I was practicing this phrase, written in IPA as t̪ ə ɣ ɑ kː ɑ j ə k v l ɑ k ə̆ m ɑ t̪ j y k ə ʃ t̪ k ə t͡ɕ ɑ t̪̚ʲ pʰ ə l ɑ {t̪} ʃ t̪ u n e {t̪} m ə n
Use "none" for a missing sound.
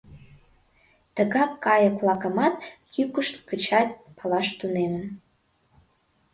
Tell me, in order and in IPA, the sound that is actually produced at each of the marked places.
none, none

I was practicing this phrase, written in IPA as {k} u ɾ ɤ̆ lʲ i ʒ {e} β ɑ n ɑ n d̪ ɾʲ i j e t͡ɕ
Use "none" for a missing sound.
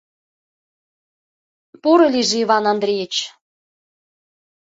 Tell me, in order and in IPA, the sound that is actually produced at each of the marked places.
p, i

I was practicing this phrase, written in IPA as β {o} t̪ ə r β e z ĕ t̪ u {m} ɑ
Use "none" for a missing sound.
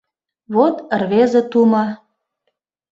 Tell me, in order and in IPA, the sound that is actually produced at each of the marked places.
o, m

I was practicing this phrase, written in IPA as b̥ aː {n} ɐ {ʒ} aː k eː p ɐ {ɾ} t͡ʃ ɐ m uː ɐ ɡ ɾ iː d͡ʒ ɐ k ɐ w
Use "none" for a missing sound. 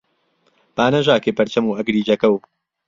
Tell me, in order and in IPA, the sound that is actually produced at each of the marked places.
n, ʒ, ɾ

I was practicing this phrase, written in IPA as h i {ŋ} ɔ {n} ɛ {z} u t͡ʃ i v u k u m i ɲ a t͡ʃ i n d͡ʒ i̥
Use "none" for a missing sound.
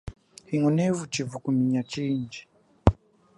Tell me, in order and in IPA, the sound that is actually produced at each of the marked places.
ŋ, n, v

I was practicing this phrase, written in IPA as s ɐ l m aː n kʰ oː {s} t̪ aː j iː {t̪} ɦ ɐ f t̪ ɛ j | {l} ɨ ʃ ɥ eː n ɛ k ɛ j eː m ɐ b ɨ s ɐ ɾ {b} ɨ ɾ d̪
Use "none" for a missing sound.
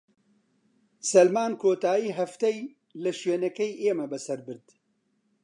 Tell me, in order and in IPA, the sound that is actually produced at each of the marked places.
none, none, l, b

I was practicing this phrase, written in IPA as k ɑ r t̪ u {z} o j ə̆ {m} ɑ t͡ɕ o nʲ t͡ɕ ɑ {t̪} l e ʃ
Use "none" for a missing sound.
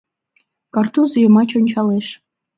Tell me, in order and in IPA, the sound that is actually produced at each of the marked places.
z, m, none

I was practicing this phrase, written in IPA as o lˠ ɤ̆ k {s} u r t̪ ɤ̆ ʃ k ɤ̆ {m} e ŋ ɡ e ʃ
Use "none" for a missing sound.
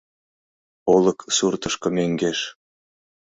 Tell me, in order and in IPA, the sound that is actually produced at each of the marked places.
s, m

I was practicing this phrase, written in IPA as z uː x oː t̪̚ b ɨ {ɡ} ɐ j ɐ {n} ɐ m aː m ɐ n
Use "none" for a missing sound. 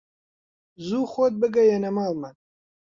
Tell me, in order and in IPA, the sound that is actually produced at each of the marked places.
ɡ, n

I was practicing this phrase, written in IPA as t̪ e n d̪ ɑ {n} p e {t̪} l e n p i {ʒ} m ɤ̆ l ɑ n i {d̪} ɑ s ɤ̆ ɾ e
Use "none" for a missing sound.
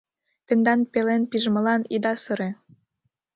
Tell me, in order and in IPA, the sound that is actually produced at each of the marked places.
n, none, ʒ, d̪

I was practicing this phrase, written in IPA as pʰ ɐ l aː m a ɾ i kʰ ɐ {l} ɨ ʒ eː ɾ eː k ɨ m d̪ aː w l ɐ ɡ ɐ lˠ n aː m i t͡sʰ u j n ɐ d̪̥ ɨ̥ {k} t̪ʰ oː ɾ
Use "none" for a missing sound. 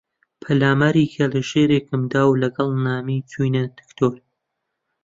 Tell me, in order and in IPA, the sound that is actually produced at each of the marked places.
l, k

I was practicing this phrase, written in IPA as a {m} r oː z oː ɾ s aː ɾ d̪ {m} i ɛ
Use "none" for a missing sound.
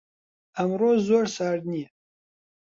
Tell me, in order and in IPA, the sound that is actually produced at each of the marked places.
m, n

